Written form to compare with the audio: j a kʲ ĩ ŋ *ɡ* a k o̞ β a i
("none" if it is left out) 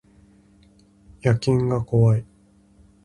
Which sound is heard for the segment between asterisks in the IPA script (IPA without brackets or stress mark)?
ɡ